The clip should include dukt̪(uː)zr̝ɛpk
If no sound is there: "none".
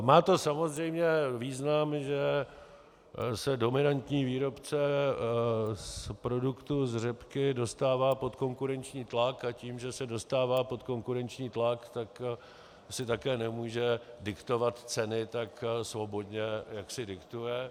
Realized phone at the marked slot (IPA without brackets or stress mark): u